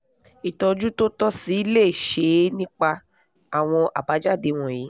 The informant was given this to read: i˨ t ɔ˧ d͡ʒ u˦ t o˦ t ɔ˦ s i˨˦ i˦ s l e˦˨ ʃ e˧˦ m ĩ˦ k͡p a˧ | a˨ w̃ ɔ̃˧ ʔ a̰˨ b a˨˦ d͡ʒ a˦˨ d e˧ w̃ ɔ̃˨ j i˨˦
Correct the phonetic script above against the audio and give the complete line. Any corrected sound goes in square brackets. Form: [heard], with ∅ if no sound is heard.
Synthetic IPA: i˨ t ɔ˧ d͡ʒ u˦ t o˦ t ɔ˦ s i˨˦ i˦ [∅] l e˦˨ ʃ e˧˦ [n] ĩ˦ k͡p a˧ | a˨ w̃ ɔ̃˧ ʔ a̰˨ b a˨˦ d͡ʒ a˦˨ d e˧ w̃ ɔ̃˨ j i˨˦